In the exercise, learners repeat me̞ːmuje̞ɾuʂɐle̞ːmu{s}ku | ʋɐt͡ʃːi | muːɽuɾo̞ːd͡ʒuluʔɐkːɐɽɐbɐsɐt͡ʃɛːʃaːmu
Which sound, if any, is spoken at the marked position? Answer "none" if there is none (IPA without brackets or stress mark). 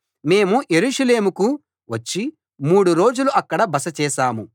none